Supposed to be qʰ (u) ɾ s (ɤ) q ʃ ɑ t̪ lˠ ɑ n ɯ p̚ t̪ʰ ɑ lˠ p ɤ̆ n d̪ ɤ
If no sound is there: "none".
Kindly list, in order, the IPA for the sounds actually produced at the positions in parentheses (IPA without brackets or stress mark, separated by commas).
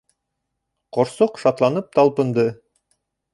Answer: o, o